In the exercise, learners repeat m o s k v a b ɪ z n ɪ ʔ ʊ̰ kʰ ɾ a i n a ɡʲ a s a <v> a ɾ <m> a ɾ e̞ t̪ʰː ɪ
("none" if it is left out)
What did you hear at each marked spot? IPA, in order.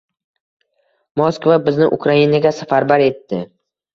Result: f, b

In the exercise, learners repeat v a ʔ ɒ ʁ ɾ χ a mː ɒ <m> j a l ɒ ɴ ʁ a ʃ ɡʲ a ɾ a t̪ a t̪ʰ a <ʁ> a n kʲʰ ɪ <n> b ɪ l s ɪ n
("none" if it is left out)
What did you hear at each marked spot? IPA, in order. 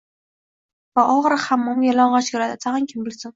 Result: m, ʁ, m

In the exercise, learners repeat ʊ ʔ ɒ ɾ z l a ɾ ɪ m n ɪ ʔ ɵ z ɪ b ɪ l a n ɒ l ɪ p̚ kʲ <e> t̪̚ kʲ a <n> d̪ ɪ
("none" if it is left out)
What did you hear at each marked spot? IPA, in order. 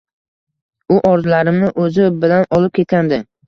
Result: e, n

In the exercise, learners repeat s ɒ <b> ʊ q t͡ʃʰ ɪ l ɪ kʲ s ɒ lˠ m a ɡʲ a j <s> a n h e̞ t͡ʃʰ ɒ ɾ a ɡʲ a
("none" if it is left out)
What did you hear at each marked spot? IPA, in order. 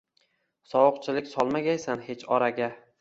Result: w, s

